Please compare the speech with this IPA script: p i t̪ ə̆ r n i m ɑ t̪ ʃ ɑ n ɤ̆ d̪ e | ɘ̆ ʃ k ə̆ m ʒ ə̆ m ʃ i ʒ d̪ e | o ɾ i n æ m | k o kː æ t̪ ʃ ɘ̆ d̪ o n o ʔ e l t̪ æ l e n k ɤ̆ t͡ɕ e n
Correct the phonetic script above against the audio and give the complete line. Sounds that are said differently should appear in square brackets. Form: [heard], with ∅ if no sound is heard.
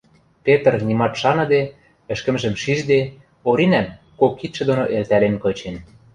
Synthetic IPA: p [e] t̪ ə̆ r n i m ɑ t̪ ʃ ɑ n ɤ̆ d̪ e | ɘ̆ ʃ k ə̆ m ʒ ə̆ m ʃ i ʒ d̪ e | o ɾ i n æ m | k o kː [i] t̪ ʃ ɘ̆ d̪ o n o ʔ e l t̪ æ l e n k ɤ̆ t͡ɕ e n